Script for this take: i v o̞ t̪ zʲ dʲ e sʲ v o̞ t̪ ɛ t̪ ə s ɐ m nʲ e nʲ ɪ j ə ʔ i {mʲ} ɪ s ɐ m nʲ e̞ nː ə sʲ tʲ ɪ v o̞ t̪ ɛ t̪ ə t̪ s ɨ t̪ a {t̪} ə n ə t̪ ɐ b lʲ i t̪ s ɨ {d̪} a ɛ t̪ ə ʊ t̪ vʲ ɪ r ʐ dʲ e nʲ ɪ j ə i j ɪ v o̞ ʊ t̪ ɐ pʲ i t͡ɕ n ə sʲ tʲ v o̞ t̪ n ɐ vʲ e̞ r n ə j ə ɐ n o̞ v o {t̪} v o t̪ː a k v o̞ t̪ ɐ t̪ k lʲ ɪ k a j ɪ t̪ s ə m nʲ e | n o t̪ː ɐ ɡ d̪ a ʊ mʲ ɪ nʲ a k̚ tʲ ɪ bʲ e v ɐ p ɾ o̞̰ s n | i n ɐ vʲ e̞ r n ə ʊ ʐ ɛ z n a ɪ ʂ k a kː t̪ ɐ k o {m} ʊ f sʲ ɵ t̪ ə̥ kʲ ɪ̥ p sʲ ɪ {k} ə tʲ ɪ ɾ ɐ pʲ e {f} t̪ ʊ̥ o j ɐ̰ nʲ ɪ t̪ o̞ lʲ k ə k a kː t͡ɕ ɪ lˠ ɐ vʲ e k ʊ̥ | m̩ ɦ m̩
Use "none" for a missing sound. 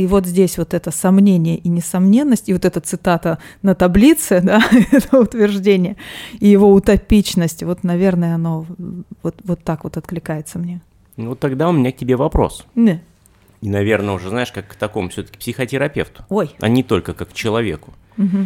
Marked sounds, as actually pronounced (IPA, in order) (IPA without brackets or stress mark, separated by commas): nʲ, t̪, d̪, t̪, m, x, f